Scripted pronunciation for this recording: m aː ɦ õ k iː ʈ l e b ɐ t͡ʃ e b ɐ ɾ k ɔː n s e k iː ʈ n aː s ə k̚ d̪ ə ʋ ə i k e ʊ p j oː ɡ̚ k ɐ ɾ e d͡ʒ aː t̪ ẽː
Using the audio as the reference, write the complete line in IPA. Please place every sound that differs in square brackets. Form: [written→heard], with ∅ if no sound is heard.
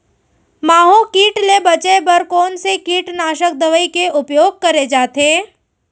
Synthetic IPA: m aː ɦ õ k iː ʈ l e b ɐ t͡ʃ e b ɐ ɾ k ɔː n s e k iː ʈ n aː [s→ʃ] ə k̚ d̪ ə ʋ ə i k e ʊ p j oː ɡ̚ k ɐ ɾ e d͡ʒ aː t̪ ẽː